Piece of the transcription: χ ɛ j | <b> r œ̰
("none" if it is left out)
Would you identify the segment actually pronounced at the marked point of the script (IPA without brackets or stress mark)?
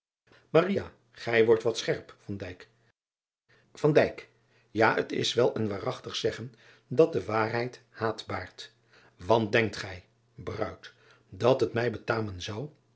b